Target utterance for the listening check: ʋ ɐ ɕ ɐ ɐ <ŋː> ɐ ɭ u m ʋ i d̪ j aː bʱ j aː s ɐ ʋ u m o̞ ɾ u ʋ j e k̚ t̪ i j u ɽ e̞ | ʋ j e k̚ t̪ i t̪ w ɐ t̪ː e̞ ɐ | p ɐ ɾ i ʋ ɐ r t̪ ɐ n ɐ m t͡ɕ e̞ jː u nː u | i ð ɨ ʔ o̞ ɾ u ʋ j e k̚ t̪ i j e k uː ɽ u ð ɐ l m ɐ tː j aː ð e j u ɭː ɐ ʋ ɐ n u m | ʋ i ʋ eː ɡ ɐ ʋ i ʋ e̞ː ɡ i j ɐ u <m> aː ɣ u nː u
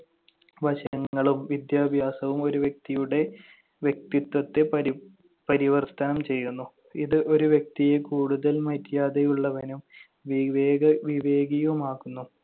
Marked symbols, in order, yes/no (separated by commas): yes, yes